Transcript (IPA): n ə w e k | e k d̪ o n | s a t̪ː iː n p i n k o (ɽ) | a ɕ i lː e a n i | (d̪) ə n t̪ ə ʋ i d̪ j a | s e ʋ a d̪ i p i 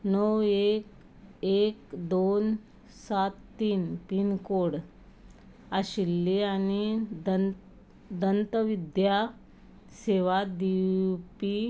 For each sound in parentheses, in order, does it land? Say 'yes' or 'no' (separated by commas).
yes, yes